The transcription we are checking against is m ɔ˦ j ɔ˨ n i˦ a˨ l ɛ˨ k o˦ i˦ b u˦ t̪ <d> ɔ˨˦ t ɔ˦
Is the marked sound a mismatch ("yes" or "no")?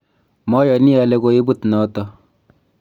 yes